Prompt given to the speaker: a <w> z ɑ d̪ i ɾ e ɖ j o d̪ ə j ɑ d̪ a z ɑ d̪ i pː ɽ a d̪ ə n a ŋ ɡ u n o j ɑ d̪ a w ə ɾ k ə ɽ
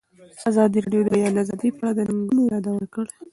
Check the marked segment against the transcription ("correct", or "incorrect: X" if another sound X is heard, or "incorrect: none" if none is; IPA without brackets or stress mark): incorrect: none